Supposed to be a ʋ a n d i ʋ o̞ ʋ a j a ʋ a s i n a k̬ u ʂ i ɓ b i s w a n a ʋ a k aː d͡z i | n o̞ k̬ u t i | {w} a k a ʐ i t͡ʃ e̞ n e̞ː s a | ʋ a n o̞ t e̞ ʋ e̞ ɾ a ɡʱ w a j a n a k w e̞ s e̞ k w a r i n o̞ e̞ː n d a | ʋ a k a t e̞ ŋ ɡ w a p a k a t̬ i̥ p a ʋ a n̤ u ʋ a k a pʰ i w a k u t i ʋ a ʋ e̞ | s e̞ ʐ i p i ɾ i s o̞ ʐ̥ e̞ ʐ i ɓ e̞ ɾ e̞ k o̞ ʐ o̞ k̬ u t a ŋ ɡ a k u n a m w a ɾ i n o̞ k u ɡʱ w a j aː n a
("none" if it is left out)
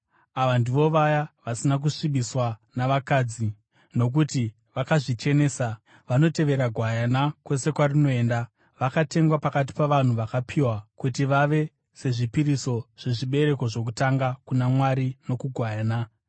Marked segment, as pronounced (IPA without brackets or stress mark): ʋ